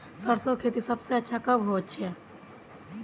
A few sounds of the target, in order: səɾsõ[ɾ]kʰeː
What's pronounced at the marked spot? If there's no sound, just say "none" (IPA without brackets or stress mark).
none